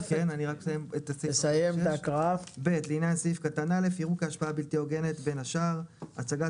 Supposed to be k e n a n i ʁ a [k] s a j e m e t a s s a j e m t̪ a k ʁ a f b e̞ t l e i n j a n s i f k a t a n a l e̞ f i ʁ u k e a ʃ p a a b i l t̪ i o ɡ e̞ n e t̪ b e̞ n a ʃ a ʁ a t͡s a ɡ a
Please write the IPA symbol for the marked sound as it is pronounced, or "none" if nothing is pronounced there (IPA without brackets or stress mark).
k